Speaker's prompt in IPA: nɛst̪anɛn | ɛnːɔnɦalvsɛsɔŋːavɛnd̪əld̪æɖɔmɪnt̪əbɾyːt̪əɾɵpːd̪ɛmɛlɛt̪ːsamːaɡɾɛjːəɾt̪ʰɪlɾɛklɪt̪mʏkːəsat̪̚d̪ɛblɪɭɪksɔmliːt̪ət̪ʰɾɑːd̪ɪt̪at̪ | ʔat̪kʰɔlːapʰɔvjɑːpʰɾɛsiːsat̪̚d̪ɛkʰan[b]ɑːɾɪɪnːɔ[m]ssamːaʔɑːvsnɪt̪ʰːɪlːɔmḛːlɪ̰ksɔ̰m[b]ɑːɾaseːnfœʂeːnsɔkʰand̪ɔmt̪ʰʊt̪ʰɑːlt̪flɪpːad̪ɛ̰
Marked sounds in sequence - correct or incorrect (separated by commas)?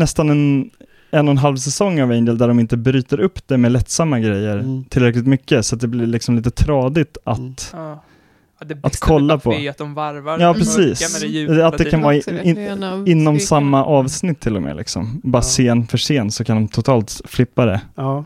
incorrect, correct, correct